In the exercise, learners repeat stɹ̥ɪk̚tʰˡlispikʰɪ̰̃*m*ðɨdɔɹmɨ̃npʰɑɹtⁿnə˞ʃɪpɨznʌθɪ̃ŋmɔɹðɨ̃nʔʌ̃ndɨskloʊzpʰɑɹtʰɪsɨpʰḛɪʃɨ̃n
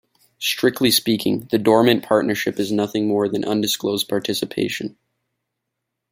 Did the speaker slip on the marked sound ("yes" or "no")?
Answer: yes